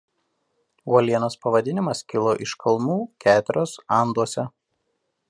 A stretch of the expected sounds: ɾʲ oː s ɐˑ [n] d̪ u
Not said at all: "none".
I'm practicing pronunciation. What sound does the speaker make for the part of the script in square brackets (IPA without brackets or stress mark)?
n